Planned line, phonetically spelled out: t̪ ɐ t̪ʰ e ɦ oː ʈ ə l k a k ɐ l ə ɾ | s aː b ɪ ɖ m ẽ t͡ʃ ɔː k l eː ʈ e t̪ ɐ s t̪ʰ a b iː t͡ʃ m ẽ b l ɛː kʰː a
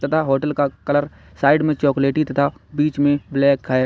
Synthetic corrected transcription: t̪ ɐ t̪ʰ a ɦ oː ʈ ə l k a k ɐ l ə ɾ | s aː ɪ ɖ m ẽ t͡ʃ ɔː k l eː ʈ i t̪ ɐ t̪ʰ a b iː t͡ʃ m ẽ b l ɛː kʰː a